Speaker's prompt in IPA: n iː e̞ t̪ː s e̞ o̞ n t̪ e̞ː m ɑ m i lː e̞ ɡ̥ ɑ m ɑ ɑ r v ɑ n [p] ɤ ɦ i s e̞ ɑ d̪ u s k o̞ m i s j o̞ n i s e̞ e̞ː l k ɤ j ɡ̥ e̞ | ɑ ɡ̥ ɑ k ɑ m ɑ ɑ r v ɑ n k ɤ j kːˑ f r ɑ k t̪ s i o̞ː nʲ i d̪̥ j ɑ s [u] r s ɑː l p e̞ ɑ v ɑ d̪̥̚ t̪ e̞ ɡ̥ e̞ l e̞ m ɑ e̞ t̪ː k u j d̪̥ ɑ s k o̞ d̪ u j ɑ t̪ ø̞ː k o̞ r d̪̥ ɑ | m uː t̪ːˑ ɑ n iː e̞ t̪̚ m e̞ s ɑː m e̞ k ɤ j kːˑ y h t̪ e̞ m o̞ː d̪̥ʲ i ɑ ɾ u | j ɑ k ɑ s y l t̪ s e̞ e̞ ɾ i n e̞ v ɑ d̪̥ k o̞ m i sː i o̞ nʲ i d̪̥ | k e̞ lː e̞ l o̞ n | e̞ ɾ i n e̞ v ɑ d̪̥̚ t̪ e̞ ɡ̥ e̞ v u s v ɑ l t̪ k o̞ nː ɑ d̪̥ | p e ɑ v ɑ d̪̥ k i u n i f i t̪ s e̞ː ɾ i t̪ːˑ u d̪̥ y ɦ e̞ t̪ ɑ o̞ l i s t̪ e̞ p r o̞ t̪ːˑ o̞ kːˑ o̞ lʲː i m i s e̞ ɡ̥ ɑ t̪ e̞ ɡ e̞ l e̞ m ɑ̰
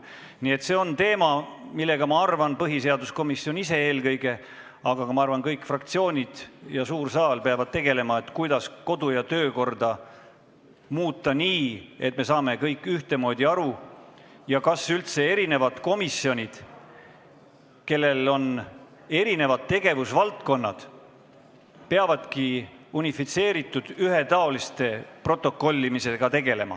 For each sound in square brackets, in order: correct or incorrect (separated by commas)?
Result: correct, incorrect